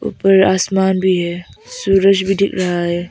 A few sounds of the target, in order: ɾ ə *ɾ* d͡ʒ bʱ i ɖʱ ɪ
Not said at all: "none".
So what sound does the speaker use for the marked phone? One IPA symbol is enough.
none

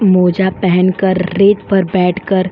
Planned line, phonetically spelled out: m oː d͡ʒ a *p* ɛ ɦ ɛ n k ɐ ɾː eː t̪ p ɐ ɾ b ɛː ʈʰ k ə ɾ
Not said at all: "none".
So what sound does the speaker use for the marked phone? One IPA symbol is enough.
p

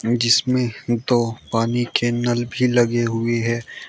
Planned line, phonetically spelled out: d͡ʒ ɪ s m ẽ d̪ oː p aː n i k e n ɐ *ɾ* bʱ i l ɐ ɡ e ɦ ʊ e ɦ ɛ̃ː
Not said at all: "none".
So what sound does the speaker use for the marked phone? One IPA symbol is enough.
l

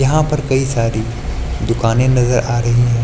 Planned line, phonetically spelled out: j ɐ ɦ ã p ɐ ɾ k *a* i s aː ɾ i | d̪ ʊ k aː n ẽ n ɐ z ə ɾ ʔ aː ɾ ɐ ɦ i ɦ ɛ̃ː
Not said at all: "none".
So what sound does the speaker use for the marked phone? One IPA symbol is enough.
ɐ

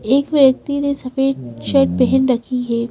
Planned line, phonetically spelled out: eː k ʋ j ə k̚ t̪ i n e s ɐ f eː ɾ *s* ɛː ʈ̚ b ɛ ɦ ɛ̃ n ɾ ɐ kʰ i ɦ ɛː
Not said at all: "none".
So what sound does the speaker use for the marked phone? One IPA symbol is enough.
ʃ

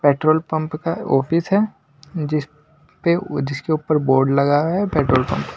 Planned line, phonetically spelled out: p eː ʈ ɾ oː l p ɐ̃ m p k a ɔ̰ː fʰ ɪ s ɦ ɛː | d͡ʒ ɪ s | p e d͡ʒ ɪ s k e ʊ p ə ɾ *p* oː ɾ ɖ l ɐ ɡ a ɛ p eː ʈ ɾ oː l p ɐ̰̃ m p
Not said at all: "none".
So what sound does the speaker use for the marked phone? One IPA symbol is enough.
b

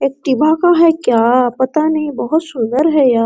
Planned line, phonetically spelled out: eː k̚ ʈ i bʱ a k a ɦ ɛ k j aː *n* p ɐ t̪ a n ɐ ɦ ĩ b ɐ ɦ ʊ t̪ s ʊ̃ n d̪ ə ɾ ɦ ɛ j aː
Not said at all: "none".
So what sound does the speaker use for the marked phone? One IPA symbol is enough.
none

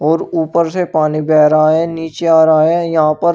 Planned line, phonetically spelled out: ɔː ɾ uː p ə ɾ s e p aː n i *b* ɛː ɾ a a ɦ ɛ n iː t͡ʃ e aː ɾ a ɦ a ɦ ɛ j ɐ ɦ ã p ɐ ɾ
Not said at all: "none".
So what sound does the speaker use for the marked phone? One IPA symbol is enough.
b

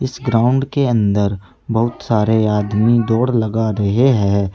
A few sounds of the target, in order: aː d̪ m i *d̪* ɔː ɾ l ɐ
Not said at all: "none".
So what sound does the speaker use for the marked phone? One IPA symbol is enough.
d̪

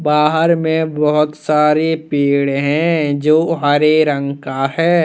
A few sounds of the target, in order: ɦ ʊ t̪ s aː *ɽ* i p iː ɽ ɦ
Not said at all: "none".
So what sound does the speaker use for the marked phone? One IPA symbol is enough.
ɾ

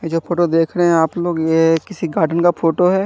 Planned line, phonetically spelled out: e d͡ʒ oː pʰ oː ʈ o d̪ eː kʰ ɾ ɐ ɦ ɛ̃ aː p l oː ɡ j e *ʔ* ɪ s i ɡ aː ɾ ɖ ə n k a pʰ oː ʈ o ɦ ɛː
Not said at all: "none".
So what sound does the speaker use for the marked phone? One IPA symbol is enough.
k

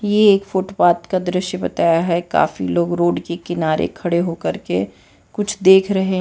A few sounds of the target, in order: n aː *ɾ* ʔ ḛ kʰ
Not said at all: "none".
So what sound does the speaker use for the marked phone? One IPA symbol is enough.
ɾ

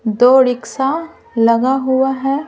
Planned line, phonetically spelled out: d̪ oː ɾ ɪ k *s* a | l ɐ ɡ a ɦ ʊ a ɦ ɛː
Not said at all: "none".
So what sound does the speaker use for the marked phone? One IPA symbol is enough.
s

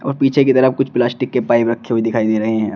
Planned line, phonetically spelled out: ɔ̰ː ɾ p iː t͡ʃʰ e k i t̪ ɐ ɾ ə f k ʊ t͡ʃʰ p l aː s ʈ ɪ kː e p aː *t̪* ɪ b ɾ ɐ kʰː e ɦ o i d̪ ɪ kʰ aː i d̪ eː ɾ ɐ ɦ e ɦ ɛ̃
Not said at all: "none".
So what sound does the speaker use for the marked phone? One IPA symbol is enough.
none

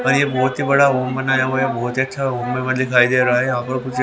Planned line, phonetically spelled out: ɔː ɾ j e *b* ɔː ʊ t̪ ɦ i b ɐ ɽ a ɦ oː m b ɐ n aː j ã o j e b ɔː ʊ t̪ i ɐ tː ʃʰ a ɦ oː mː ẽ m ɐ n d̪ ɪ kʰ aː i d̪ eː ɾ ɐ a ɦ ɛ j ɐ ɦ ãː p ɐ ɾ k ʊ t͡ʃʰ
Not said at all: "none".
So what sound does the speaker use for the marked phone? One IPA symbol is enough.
b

